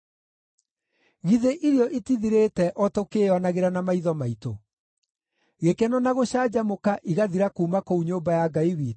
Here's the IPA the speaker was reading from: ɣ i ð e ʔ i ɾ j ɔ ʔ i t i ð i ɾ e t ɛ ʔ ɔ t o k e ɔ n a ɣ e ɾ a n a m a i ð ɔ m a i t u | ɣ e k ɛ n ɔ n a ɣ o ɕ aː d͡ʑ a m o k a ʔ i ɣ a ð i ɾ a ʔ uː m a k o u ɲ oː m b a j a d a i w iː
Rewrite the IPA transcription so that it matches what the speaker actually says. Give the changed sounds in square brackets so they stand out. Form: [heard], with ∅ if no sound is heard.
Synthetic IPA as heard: ɣ i ð e ʔ i ɾ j ɔ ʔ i t i ð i ɾ e t ɛ ʔ ɔ t o k e ɔ n a ɣ e ɾ a n a m a i ð ɔ m a i t [o] | ɣ e k ɛ n ɔ n a ɣ o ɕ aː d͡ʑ a m o k a ʔ i ɣ a ð i ɾ a [k] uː m a k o u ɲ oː m b a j a [ɡ] a i w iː

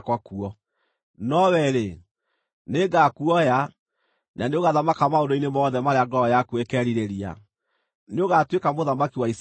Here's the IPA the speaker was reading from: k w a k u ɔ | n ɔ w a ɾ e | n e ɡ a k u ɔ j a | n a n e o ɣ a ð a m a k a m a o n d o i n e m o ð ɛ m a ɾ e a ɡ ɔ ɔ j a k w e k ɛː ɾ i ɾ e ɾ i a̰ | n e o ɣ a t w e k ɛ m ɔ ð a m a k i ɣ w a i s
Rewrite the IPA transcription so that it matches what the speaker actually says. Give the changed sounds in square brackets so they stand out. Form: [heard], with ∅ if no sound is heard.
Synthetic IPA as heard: k w a k u ɔ | n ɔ w [ɛ] ɾ e | n e ɡ a k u ɔ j a | n a n e o ɣ a ð a m a k a m a o n d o i n e m [ɔ] ð ɛ m a ɾ e a ɡ ɔ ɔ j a k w e k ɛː ɾ i ɾ e ɾ i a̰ | n e o ɣ a t w e k [a] m [o] ð a m a k i [∅] w a i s

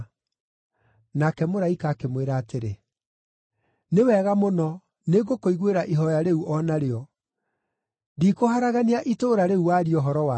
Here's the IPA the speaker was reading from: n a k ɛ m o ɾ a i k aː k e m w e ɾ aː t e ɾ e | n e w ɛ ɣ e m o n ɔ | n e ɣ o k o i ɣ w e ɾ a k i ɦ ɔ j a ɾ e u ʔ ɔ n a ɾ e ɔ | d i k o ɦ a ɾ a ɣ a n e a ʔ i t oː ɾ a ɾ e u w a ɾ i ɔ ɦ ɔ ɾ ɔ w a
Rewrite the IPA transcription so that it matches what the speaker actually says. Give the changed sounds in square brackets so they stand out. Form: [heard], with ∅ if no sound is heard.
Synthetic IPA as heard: n a k ɛ m o ɾ a i k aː k e m w e ɾ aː t e ɾ e | n e w ɛ ɣ [a] m o n ɔ | n e ɣ o k o i ɣ w e ɾ a [ʔ] i ɦ ɔ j a ɾ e u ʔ ɔ n a ɾ e ɔ | d i k o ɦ a ɾ a ɣ a n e a ʔ i t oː ɾ a ɾ e u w a ɾ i ɔ ɦ ɔ ɾ ɔ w a

